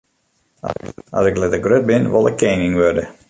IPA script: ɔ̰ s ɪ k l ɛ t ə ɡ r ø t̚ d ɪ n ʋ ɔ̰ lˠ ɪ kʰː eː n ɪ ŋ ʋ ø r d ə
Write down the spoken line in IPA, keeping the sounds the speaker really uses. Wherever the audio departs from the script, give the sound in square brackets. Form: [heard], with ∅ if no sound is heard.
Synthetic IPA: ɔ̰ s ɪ k l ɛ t ə ɡ r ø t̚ [b] ɪ n ʋ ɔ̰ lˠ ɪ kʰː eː n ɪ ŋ ʋ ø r d ə